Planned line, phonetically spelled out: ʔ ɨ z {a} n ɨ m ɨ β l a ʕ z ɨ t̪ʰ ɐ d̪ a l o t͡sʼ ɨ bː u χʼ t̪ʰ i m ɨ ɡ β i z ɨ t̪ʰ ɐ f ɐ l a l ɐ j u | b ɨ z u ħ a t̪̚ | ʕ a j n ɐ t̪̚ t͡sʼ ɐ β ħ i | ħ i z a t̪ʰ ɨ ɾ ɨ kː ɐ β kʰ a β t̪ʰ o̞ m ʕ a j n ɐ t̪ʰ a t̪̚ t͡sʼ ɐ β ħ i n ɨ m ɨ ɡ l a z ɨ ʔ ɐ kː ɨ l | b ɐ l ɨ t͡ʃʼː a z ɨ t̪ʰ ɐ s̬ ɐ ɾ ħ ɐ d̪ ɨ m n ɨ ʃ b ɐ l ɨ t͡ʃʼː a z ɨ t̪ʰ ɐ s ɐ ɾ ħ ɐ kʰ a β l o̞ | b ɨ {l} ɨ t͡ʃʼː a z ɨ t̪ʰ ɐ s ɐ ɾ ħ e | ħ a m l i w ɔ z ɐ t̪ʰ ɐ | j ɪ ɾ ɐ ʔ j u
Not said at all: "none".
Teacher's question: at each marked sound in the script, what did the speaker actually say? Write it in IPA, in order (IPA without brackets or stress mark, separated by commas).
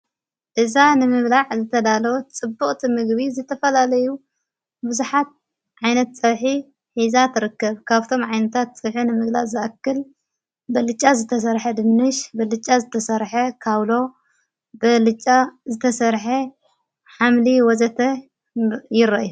a, l